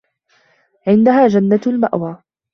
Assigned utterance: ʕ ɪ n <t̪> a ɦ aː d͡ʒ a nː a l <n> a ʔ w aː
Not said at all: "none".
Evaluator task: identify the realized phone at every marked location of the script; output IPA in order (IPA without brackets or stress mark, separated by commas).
d̪, m